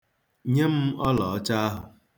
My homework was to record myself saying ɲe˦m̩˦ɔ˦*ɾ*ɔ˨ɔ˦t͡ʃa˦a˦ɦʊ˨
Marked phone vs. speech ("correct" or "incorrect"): incorrect